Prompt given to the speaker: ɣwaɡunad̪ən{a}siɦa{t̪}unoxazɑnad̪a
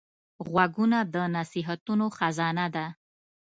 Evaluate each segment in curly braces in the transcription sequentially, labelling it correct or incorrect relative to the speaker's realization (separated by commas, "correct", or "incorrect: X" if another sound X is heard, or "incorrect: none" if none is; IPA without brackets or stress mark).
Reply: correct, correct